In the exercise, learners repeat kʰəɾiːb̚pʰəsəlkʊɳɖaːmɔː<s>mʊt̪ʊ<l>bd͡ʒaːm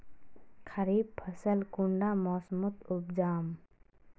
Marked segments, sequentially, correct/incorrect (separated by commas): correct, incorrect